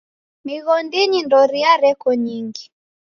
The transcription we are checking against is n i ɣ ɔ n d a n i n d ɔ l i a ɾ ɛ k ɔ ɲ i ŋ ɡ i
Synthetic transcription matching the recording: m i ɣ ɔ n d i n i n d ɔ ɾ i a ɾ ɛ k ɔ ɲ i ŋ ɡ i